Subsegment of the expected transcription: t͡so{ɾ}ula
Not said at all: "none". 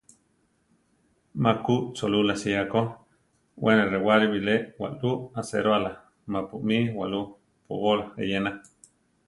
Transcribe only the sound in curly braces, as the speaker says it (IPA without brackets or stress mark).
l